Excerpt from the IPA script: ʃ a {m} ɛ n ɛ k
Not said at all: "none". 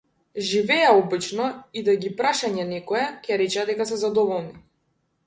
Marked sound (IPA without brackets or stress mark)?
ɲ